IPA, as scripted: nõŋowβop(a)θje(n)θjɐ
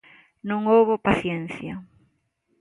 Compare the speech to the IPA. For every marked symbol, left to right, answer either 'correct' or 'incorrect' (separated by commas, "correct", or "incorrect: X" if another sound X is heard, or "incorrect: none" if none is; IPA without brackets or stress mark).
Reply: correct, correct